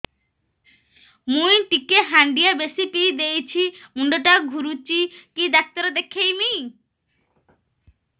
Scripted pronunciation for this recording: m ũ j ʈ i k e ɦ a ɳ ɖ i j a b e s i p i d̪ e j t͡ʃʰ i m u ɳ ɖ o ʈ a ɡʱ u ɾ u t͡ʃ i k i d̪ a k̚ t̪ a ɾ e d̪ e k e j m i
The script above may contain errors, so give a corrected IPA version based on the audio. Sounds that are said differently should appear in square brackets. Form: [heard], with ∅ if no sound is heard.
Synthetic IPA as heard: m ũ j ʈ i k e ɦ a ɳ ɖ i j a b e s i p i d̪ e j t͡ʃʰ i m u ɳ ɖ o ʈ a ɡʱ u ɾ u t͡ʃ i k i d̪ a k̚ t̪ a ɾ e d̪ e [kʰ] e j m i